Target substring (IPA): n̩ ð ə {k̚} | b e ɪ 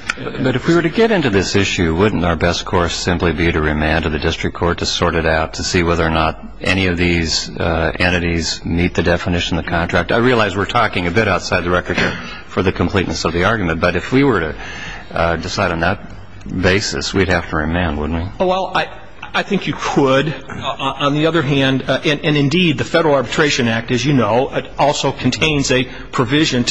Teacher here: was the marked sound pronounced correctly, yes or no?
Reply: no